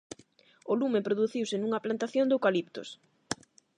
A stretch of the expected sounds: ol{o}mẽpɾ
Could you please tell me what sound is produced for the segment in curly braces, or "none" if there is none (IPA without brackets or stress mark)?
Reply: u